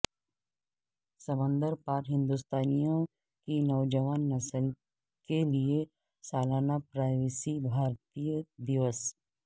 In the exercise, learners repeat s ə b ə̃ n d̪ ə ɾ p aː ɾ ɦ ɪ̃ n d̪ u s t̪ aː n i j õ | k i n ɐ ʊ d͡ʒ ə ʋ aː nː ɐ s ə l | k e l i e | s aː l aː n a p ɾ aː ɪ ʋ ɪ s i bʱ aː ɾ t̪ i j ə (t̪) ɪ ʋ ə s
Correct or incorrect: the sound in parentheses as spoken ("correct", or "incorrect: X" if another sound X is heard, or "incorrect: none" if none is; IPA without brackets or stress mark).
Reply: incorrect: d̪